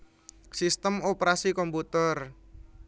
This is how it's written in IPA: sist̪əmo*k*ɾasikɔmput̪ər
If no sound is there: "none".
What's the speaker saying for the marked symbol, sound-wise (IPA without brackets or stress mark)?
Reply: p